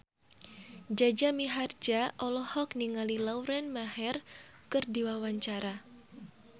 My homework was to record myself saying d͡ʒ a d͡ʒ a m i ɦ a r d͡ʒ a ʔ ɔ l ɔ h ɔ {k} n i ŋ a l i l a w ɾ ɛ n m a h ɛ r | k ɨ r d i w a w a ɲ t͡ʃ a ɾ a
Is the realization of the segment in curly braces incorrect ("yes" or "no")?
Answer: no